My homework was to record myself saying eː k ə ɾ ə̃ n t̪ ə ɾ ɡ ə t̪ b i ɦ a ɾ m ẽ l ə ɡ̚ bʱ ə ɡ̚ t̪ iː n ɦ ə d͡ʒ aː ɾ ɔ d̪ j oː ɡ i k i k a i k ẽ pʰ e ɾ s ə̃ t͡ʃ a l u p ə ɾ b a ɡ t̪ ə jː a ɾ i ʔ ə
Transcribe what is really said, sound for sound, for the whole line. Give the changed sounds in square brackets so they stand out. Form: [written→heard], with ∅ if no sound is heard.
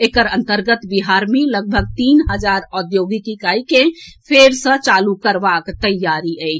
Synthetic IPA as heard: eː k ə ɾ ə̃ n t̪ ə ɾ ɡ ə t̪ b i ɦ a ɾ m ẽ l ə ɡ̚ bʱ ə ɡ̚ t̪ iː n ɦ ə d͡ʒ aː ɾ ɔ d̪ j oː ɡ i k i k a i k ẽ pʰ e ɾ s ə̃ t͡ʃ a l u [p→k] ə ɾ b a [ɡ→k] t̪ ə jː a ɾ i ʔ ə